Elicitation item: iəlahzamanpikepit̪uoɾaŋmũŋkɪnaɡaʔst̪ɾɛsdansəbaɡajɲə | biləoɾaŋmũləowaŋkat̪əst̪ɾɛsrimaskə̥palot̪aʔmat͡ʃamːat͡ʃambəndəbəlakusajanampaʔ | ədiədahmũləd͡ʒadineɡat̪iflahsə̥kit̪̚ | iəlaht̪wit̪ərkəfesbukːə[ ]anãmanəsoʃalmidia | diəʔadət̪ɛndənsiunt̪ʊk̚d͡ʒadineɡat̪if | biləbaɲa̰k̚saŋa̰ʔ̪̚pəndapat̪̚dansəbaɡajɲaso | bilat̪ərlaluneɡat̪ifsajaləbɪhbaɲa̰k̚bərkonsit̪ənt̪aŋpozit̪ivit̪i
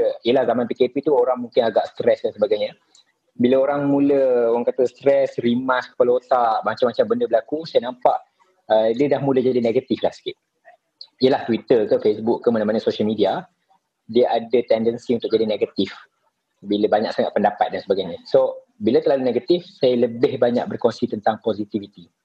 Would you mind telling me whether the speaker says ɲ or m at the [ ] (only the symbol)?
m